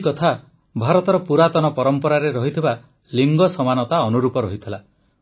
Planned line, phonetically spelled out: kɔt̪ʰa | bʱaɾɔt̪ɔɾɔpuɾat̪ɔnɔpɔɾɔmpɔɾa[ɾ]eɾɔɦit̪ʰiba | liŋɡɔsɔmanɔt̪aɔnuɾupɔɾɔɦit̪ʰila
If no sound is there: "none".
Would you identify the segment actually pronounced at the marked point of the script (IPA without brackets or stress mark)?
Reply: ɾ